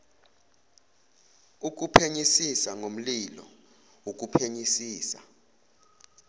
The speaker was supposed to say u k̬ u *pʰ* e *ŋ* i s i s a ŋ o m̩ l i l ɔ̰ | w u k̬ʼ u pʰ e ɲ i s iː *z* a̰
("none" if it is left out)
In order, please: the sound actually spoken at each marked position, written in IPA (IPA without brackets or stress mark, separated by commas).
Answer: pʰ, ɲ, s